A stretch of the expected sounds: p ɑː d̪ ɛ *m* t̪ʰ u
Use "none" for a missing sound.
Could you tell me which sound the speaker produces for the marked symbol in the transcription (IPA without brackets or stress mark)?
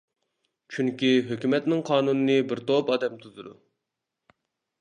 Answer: m